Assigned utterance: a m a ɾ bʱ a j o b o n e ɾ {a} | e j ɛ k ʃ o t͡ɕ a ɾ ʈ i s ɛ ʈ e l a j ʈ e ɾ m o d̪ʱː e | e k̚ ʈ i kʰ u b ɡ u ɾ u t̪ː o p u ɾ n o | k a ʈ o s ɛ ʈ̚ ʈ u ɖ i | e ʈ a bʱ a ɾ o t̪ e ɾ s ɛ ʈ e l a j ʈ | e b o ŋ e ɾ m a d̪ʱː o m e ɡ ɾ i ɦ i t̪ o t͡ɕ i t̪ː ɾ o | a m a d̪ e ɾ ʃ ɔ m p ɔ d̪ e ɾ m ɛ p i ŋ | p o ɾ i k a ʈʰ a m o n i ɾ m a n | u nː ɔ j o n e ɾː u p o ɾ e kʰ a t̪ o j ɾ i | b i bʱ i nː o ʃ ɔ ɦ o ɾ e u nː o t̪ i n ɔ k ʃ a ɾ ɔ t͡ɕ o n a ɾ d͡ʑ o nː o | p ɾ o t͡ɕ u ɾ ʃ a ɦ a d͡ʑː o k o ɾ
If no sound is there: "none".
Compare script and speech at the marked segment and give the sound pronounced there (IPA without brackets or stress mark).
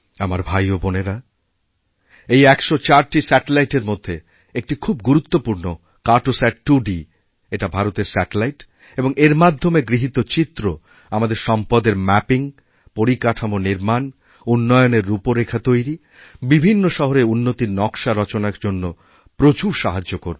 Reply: a